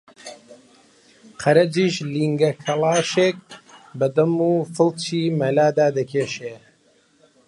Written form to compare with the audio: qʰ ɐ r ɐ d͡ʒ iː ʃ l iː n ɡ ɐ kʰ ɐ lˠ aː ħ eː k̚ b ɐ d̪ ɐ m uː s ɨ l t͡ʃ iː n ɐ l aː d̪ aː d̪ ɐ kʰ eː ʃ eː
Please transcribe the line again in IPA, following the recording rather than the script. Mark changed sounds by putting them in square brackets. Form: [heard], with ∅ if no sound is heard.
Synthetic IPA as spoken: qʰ ɐ [ɾ] ɐ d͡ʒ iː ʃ l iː [ŋ] ɡ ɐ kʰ ɐ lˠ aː [ʃ] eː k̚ b ɐ d̪ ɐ m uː [f] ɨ l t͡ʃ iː [m] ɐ l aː d̪ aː d̪ ɐ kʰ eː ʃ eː